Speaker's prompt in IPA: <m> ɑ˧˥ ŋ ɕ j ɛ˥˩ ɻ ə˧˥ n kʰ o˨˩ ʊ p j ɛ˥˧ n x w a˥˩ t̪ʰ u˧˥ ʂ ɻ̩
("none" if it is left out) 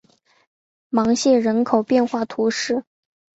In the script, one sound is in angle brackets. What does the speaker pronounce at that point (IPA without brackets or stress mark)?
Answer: m